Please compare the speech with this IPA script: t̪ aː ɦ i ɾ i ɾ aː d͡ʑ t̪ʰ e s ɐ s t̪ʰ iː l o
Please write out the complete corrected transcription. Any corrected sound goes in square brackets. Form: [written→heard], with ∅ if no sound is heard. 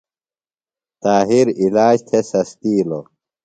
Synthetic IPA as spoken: t̪ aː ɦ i ɾ i [ɾ→l] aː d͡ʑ t̪ʰ e s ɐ s [t̪ʰ→t̪] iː l o